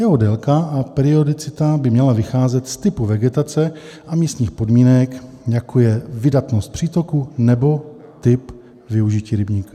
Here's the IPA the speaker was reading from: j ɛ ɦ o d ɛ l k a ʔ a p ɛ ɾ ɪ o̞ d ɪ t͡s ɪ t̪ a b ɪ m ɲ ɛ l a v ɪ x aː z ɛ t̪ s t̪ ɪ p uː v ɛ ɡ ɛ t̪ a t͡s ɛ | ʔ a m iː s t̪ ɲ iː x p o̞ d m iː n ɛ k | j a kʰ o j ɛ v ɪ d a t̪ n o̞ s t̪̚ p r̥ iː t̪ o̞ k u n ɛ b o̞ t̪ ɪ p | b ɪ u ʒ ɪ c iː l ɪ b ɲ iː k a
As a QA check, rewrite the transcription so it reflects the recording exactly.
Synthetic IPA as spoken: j ɛ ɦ o d ɛ l k a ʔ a p ɛ ɾ ɪ o̞ d ɪ t͡s ɪ t̪ a b ɪ m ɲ ɛ l a v ɪ x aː z ɛ t̪ s t̪ ɪ p u v ɛ ɡ ɛ t̪ a t͡s ɛ | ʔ a m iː s t̪ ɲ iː x p o̞ d m iː n ɛ k | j a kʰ o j ɛ v ɪ d a t̪ n o̞ s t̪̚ p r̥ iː t̪ o̞ k u n ɛ b o̞ t̪ ɪ p | v ɪ u ʒ ɪ c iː ɾ ɪ b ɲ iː k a